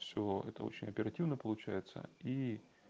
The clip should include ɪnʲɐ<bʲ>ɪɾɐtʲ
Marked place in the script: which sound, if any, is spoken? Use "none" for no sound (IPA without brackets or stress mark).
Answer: pʲ